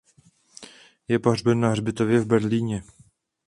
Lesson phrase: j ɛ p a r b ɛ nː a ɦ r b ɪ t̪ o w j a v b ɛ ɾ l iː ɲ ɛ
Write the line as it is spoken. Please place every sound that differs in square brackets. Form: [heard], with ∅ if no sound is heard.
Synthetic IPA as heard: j ɛ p a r b ɛ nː a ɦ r b ɪ t̪ o [v] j [ɛ] v b ɛ ɾ l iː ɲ ɛ